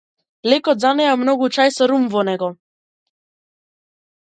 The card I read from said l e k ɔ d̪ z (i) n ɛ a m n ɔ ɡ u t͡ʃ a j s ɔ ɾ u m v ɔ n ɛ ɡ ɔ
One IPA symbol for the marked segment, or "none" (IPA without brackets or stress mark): a